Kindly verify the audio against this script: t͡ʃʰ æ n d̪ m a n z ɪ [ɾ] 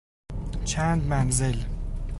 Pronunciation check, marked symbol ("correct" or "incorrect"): incorrect